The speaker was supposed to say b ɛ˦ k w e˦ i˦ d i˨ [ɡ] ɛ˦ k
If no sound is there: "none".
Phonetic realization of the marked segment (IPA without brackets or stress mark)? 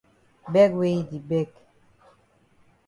b